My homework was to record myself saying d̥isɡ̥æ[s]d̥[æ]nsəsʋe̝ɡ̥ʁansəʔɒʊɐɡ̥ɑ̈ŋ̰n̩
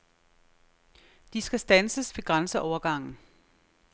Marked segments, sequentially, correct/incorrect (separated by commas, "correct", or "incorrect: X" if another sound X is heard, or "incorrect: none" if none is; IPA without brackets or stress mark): correct, correct